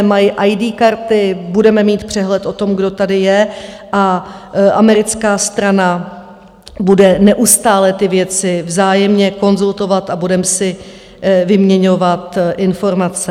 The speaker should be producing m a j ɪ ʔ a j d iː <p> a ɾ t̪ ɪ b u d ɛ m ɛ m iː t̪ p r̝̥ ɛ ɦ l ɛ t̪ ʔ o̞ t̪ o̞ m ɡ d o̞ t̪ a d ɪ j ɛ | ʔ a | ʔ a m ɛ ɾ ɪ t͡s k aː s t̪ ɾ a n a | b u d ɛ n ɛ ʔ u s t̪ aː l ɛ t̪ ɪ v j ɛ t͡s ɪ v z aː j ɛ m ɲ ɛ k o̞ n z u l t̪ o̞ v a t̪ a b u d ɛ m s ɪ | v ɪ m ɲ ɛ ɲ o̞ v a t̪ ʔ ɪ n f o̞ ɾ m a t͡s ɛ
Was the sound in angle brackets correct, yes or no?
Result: no